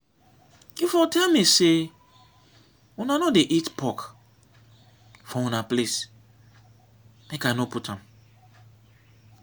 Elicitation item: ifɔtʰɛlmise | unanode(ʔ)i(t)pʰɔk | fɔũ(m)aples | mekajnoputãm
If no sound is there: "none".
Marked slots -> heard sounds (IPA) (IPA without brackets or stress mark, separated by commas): ʔ, t, n